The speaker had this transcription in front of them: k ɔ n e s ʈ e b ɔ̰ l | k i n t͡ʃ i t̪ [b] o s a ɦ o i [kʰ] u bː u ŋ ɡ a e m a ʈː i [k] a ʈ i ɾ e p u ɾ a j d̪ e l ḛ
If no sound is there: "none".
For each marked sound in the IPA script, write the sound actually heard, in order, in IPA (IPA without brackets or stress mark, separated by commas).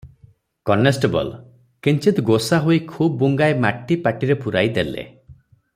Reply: ɡ, kʰ, p